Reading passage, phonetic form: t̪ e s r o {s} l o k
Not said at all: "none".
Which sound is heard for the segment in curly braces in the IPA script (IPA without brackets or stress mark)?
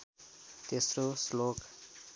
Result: s